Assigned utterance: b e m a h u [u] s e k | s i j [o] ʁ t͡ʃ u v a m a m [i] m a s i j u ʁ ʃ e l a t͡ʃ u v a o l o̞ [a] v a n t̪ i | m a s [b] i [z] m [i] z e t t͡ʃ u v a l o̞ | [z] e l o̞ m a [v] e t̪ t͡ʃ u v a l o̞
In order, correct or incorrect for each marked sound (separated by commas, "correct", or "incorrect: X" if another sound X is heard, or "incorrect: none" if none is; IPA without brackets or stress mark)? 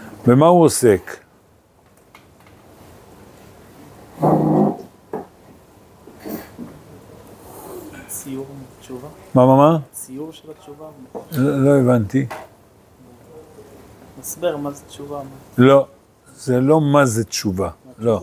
incorrect: o, incorrect: u, incorrect: a, incorrect: e, correct, incorrect: ʁ, incorrect: a, correct, incorrect: z